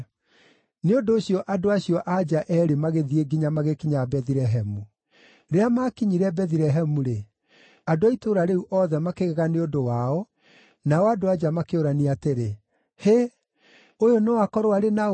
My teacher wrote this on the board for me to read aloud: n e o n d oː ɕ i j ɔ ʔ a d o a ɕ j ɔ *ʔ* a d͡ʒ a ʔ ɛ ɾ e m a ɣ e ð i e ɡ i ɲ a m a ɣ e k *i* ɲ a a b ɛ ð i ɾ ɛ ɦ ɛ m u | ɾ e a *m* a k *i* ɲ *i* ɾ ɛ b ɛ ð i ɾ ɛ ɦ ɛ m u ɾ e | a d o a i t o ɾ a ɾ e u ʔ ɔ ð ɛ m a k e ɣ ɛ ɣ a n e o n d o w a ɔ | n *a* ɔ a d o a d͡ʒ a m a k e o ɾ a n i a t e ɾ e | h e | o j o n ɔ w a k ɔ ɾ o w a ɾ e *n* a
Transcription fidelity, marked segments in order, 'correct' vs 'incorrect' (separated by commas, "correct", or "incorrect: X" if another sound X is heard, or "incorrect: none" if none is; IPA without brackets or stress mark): correct, correct, correct, correct, correct, correct, correct